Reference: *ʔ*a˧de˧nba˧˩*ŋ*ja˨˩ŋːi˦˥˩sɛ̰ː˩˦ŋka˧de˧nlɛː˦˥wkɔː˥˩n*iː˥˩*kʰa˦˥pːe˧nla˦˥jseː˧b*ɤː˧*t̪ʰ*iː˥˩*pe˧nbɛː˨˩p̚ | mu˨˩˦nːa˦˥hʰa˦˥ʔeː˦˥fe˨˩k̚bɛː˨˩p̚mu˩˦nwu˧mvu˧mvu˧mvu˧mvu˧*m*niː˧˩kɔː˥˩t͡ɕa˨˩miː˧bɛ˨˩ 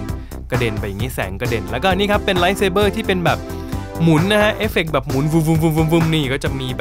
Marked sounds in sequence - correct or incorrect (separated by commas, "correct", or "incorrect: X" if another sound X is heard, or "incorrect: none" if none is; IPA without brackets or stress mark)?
incorrect: k, incorrect: none, correct, incorrect: ɤː˥˩, correct, correct